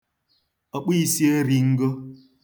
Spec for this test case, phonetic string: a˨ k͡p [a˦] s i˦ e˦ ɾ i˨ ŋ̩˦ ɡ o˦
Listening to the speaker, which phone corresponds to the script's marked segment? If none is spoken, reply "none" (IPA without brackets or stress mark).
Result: i˦